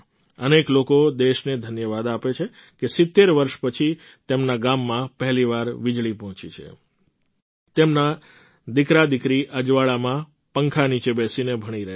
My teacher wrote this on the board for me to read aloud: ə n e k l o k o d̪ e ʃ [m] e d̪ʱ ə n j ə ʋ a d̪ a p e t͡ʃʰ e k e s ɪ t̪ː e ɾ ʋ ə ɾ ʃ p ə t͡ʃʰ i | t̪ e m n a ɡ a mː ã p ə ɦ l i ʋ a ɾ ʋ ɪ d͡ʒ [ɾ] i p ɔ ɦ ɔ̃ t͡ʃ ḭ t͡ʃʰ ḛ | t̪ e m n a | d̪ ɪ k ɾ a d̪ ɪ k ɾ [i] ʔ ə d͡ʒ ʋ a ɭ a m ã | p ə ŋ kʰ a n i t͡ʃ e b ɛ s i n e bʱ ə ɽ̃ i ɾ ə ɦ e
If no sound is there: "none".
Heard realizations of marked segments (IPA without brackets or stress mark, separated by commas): n, ɭ, i